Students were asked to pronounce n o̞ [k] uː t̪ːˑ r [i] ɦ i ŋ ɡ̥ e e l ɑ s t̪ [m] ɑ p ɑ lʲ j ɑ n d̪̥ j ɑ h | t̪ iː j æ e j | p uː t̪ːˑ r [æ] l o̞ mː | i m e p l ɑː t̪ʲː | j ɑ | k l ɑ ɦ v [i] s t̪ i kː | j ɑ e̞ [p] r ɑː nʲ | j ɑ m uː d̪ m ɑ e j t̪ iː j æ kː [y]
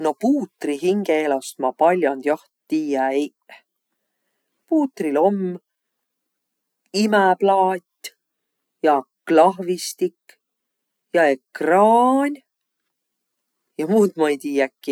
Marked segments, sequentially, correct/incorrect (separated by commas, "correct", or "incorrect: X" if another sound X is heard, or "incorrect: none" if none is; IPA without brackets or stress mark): incorrect: p, correct, correct, incorrect: i, correct, incorrect: k, incorrect: i